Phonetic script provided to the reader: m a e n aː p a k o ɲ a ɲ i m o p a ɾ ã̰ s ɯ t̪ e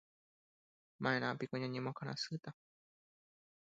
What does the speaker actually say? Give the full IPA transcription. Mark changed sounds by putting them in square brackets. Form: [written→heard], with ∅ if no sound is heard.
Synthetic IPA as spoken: m a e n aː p [a→i] k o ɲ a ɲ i m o [p→k] a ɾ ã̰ s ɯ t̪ [e→a]